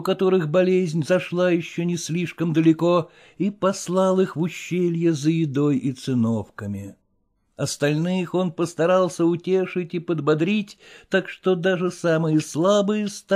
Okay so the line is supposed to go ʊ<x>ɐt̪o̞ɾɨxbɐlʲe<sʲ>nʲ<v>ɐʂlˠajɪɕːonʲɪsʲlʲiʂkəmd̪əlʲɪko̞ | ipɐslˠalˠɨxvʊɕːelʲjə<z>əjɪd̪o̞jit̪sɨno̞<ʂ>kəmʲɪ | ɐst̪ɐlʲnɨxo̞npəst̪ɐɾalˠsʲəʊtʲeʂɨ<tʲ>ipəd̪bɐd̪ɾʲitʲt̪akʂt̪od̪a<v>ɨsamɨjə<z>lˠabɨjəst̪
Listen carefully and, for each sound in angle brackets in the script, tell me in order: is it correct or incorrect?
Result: incorrect, incorrect, incorrect, correct, incorrect, correct, incorrect, incorrect

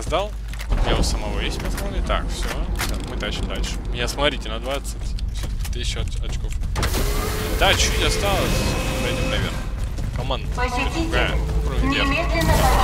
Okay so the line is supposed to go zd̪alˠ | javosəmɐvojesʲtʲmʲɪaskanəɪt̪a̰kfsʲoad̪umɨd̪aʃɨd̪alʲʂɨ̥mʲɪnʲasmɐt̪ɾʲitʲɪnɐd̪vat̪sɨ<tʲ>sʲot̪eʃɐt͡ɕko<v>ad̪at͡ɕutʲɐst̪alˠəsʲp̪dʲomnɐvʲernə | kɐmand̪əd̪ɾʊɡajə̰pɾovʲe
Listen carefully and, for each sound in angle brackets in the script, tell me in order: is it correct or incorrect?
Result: correct, incorrect

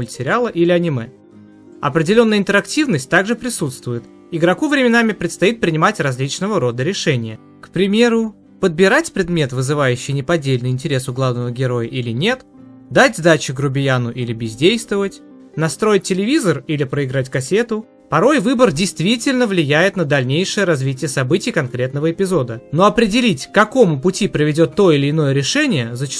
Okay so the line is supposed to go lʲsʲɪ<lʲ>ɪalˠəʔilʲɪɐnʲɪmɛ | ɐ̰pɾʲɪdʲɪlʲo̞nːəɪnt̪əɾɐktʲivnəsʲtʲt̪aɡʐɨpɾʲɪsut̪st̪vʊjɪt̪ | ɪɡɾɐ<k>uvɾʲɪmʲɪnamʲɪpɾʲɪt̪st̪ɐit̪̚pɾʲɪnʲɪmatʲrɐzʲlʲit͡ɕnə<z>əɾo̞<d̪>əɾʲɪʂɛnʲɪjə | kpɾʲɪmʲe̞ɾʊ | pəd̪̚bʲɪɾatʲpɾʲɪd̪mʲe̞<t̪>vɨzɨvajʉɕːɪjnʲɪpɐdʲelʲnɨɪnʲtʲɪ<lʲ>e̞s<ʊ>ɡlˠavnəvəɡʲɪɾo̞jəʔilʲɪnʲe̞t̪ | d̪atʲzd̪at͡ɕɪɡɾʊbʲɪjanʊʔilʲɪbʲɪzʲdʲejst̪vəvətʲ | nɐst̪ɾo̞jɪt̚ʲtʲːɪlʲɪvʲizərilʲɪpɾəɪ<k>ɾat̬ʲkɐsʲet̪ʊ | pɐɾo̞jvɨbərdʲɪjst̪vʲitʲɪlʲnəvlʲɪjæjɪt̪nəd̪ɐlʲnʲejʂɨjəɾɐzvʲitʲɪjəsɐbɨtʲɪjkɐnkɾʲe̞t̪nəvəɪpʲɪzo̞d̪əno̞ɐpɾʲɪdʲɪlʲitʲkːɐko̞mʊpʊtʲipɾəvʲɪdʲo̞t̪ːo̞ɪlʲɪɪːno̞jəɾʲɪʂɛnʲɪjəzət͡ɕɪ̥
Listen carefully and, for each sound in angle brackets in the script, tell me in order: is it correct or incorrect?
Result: incorrect, correct, incorrect, correct, correct, incorrect, correct, incorrect

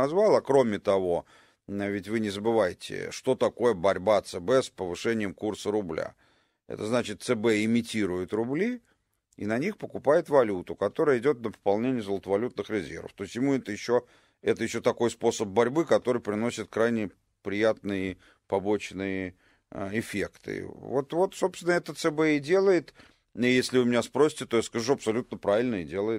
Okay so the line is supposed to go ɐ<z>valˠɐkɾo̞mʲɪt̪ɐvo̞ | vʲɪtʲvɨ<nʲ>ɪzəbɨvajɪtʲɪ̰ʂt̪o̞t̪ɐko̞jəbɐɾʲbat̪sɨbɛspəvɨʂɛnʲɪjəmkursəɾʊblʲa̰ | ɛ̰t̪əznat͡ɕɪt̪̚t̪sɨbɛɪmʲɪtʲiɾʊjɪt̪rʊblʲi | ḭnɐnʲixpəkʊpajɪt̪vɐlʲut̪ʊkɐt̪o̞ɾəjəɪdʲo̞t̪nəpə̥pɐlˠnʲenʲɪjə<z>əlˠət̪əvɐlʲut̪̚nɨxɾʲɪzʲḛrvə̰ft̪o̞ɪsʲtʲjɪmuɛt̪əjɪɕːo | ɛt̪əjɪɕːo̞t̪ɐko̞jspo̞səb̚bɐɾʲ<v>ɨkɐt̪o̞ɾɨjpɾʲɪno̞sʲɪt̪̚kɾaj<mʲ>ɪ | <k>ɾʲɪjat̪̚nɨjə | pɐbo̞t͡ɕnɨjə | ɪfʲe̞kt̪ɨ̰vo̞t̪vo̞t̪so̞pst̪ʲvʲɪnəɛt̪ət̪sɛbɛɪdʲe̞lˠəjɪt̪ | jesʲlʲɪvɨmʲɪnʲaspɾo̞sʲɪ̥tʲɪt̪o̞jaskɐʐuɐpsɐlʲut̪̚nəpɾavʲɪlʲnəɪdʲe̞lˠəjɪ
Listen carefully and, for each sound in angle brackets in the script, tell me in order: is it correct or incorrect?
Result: correct, correct, correct, incorrect, incorrect, incorrect

